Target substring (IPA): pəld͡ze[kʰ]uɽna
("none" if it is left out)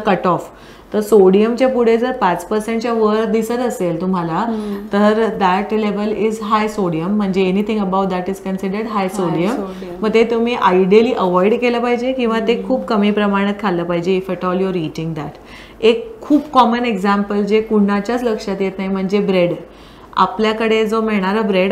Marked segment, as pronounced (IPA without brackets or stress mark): k